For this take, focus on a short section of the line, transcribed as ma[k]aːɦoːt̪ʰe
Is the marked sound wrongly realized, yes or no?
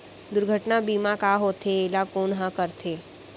no